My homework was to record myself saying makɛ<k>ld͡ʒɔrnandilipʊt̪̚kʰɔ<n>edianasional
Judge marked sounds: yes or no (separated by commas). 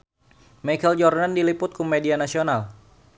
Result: no, no